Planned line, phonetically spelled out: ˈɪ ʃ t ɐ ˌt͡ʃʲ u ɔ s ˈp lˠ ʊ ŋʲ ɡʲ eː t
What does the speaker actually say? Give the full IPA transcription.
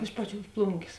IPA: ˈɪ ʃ p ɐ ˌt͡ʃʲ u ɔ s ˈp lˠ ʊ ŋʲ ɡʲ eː s